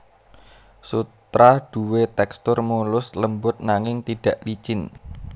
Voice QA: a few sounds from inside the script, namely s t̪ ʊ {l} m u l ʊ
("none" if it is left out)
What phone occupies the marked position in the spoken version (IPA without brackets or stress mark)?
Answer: r